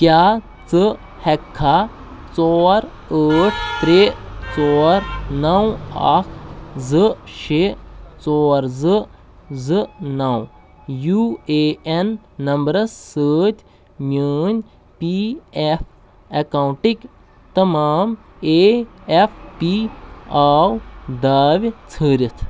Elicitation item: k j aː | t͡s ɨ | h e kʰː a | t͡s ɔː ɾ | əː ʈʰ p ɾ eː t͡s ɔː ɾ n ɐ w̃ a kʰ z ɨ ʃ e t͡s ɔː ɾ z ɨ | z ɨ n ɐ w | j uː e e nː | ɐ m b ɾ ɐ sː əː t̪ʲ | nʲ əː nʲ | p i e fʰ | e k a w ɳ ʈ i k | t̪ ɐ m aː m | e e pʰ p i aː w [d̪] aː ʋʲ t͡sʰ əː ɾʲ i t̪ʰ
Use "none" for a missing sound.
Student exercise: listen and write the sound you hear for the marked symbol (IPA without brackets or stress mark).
d̪